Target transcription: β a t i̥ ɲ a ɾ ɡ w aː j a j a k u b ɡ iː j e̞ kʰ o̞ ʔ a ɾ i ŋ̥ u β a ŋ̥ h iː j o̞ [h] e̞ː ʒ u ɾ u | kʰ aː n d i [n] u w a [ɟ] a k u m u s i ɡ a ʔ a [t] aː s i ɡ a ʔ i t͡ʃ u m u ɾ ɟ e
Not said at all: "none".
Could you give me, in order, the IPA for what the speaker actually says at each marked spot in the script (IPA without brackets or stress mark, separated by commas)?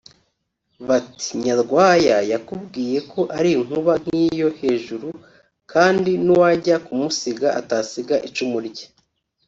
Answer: h, n, ɟ, t